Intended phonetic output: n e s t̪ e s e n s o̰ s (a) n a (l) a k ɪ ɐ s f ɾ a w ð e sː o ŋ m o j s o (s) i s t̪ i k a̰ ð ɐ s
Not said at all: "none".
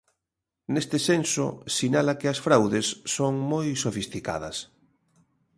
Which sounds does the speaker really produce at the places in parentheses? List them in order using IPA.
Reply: i, l, f

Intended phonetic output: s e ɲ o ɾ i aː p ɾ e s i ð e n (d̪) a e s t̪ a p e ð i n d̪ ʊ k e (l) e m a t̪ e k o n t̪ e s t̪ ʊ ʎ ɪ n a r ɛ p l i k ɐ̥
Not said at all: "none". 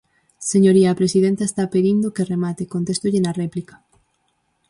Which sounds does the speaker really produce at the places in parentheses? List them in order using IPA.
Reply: t̪, r

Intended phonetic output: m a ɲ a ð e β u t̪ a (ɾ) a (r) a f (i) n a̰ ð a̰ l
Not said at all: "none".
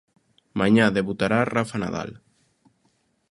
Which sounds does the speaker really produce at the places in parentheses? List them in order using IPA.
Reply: ɾ, r, a

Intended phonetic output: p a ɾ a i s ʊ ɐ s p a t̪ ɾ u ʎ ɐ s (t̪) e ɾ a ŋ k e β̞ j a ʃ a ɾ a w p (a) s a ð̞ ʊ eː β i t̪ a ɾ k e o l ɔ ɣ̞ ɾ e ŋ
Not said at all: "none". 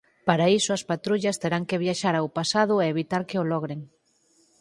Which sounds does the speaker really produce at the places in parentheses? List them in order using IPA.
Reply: t̪, a

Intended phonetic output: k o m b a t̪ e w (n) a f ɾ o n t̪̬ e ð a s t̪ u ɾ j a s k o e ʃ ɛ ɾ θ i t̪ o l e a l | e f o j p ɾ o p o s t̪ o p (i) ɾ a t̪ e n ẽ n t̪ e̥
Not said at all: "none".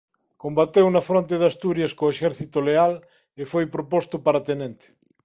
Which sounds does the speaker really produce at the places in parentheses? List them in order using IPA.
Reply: n, a

